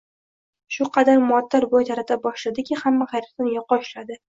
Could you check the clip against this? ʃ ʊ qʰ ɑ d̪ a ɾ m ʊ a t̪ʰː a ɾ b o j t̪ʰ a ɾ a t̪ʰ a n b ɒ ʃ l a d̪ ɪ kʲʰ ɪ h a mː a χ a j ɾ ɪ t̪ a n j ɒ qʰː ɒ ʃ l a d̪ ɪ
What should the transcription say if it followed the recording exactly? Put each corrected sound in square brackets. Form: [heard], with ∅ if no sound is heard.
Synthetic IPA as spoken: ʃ ʊ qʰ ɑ d̪ a ɾ m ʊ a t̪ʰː a ɾ b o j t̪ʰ a ɾ a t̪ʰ a [∅] b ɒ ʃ l a d̪ ɪ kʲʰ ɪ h a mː a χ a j ɾ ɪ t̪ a n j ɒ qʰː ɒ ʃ l a d̪ ɪ